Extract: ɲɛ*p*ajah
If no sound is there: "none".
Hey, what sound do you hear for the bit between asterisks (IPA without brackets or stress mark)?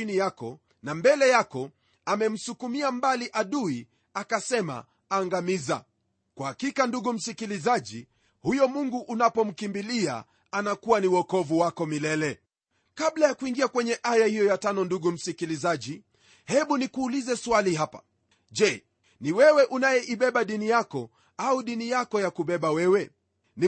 ʔ